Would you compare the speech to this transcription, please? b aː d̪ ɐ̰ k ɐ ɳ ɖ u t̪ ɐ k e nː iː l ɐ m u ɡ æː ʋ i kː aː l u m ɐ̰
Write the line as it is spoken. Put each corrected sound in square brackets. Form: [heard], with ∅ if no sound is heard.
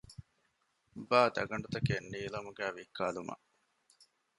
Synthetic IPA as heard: b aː d̪ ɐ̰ [ɡ] ɐ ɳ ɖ u t̪ ɐ k e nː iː l ɐ m u ɡ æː ʋ i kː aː l u m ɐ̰